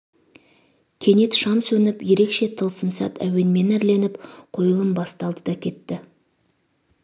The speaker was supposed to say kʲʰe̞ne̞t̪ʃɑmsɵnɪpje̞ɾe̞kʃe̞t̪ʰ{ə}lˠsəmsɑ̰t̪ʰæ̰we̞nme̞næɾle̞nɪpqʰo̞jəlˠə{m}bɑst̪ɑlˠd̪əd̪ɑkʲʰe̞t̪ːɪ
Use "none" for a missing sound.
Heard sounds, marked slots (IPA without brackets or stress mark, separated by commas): ə, m